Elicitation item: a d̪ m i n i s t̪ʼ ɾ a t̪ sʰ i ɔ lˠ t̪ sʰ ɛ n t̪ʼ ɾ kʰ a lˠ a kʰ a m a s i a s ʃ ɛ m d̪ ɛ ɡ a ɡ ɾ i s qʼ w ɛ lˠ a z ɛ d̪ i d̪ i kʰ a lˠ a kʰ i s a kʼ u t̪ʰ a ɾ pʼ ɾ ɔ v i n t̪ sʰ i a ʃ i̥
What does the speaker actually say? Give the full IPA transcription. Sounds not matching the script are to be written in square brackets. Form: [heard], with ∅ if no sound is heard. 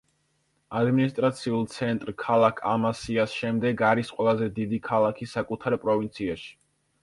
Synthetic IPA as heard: a d̪ m i n i s t̪ʼ ɾ a t̪ sʰ i [u] lˠ t̪ sʰ ɛ n t̪ʼ ɾ kʰ a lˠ a kʰ a m a s i a s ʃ ɛ m d̪ ɛ ɡ a [∅] ɾ i s qʼ w ɛ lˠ a z ɛ d̪ i d̪ i kʰ a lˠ a kʰ i s a kʼ u t̪ʰ a ɾ pʼ ɾ ɔ v i n t̪ sʰ i a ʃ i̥